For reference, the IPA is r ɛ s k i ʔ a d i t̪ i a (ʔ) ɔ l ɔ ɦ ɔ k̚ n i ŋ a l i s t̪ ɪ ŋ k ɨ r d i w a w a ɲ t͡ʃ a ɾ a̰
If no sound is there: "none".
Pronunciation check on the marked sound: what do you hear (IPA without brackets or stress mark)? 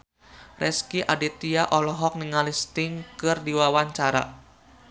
ʔ